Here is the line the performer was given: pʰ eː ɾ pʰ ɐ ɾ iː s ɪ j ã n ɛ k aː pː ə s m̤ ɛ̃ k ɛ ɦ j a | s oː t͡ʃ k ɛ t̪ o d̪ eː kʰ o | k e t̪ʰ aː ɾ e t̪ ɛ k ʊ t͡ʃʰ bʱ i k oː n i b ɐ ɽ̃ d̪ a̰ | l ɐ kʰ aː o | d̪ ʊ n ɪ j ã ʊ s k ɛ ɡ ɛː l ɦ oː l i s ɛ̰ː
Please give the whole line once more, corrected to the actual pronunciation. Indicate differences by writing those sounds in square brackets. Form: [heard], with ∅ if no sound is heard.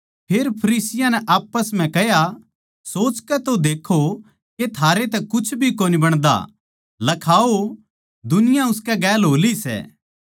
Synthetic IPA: pʰ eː ɾ pʰ ɐ ɾ iː s ɪ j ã n ɛ [ʔ] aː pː ə s m̤ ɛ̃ k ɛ ɦ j a | s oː t͡ʃ k ɛ t̪ o d̪ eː kʰ o | k e t̪ʰ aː ɾ e t̪ ɛ k ʊ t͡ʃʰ bʱ i k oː n i b ɐ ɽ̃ d̪ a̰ | l ɐ kʰ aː o | d̪ ʊ n ɪ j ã ʊ s k ɛ ɡ ɛː l ɦ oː l i s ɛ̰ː